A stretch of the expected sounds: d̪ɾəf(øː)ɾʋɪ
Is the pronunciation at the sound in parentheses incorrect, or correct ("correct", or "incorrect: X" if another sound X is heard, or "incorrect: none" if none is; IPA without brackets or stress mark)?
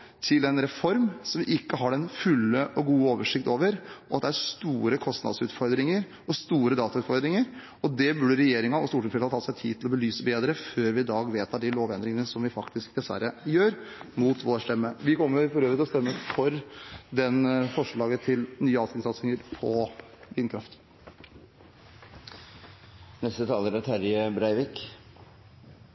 correct